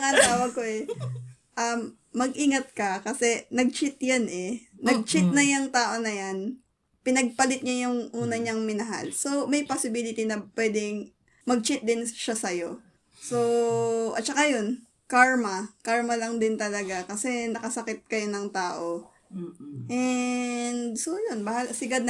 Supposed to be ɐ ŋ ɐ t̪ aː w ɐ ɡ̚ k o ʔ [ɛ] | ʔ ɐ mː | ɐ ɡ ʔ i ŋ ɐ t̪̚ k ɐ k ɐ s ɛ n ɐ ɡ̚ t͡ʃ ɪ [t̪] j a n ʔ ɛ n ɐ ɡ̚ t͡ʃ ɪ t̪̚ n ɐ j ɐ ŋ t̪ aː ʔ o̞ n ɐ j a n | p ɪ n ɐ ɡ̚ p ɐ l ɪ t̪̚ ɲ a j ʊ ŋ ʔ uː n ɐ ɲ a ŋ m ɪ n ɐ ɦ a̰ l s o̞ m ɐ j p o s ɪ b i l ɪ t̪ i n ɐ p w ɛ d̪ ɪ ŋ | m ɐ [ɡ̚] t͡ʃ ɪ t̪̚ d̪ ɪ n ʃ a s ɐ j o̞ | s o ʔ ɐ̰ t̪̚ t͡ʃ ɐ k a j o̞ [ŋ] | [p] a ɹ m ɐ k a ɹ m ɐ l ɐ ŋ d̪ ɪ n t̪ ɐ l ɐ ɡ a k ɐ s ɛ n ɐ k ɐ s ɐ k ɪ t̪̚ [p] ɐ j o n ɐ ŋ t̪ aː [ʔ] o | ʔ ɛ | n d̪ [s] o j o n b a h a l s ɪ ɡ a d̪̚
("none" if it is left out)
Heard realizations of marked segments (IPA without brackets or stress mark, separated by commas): ɛ, t̪, ɡ̚, n, k, k, ʔ, s